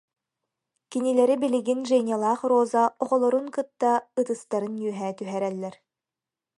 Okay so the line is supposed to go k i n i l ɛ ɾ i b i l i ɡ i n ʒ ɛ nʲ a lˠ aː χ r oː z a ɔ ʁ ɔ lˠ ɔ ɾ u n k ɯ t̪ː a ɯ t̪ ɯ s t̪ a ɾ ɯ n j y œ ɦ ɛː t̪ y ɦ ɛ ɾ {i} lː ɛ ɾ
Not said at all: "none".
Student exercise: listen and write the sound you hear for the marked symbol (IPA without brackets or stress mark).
ɛ